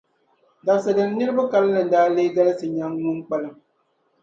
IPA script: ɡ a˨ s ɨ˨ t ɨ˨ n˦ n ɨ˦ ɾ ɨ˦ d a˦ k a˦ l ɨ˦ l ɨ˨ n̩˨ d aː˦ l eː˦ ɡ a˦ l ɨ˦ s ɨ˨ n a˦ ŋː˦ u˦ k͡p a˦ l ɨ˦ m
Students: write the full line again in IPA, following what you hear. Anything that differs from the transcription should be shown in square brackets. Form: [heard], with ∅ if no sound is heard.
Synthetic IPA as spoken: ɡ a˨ s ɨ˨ [d] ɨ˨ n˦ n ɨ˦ ɾ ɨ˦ [b] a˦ k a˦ l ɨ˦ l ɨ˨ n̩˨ d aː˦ l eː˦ ɡ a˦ l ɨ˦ s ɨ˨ [ɲ] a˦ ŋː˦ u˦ k͡p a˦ l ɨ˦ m